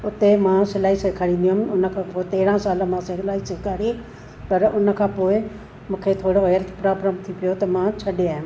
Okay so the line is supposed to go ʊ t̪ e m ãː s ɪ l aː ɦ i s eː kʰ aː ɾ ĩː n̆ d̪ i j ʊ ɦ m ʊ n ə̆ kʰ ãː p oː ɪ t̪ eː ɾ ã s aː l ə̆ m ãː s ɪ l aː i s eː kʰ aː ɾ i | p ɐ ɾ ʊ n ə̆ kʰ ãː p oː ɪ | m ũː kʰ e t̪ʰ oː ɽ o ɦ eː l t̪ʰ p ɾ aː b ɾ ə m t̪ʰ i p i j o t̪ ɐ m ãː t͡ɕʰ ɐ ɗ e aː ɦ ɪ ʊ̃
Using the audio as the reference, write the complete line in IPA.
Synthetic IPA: ʊ t̪ e m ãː s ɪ l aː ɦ i s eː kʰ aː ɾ ĩː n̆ d̪ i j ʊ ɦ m ʊ n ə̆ kʰ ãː p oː ɪ t̪ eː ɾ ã s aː l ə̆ m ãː s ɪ l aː i s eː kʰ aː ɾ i | p ɐ ɾ ʊ n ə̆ kʰ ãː p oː ɪ | m ũː kʰ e t̪ʰ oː ɽ o ɦ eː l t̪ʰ p ɾ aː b ɾ ə m t̪ʰ i p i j o t̪ ɐ m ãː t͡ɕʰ ɐ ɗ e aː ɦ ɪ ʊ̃

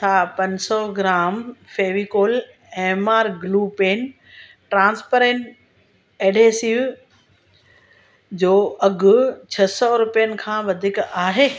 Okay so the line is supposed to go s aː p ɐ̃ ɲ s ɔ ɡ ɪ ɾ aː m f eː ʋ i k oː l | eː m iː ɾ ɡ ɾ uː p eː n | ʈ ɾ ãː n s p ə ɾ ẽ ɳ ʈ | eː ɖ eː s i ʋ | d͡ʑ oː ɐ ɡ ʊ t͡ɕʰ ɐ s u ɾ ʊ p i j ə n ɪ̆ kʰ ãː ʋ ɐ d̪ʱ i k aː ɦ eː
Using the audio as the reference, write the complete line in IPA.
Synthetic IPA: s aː p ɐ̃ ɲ s ɔ ɡ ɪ ɾ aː m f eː ʋ i k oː l | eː m aː ɾ ɡ l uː p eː n | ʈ ɾ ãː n s p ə ɾ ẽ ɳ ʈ | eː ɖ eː s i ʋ | d͡ʑ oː ɐ ɡ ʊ t͡ɕʰ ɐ s ɔ ɾ ʊ p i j ə n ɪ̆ kʰ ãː ʋ ɐ d̪ʱ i k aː ɦ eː

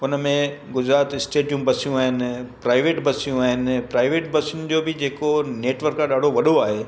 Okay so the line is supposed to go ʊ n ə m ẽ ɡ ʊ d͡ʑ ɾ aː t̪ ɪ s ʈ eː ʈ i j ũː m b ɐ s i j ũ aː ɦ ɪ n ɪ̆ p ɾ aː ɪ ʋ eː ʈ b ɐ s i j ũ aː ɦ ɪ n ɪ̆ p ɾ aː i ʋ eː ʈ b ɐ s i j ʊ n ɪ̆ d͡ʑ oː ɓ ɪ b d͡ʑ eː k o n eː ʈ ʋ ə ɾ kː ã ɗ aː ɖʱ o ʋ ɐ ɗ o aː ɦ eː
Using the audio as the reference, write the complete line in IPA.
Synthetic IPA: ʊ n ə m ẽ ɡ ʊ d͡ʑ ɾ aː t̪ ɪ s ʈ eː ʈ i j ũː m b ɐ s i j ũ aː ɦ ɪ n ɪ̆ p ɾ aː ɪ ʋ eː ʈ b ɐ s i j ũ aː ɦ ɪ n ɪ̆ p ɾ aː ɪ ʋ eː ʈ b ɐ s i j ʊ n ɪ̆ d͡ʑ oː b ɪ d͡ʑ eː k o n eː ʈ ʋ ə ɾ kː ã ɗ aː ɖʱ o ʋ ɐ ɗ o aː ɦ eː

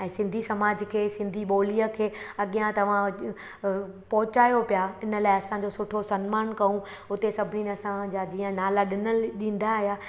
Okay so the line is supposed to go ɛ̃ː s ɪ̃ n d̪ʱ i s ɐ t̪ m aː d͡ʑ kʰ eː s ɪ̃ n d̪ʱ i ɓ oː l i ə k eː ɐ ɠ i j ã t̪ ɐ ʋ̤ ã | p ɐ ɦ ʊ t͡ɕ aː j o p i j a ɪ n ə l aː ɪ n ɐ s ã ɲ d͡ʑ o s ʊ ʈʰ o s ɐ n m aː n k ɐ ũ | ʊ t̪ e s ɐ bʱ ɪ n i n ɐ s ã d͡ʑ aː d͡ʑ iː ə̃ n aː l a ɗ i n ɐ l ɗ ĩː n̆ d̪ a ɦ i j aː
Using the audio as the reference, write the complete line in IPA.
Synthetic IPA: ɛ̃ː s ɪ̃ n d̪ʱ i s ɐ m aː d͡ʑ kʰ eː s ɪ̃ n d̪ʱ i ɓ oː l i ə kʰ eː ɐ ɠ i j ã t̪ ɐ ʋ̤ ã | p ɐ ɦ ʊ t͡ɕ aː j o p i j a ɪ n ə l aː ɪ ɐ s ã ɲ d͡ʑ o s ʊ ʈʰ o s ɐ n m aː n k ɐ ũ | ʊ t̪ e s ɐ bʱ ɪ n i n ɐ s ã d͡ʑ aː d͡ʑ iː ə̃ n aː l a ɗ ɪ n ə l ɗ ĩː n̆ d̪ a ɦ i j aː

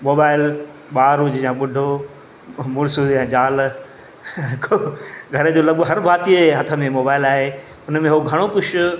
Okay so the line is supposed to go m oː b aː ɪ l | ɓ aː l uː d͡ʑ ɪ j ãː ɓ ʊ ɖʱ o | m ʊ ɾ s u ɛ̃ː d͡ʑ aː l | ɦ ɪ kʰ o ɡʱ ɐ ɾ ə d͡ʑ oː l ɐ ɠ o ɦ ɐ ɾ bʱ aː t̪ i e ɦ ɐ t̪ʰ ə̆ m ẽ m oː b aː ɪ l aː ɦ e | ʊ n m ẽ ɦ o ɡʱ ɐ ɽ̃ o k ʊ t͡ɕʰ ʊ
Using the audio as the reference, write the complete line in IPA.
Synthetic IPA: m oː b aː ɪ l | ɓ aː ɾ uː d͡ʑ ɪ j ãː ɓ ʊ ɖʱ o | m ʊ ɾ s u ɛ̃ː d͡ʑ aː l | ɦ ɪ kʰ o ɡʱ ɐ ɾ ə d͡ʑ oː l ɐ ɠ o ɦ ɐ ɾ bʱ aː t̪ i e ɦ ɐ t̪ʰ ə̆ m ẽ m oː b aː ɪ l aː ɦ e | ʊ n m ẽ ɦ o ɡʱ ɐ ɽ̃ o k ʊ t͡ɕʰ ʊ

